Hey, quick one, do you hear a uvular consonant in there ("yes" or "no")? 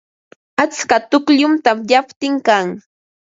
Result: no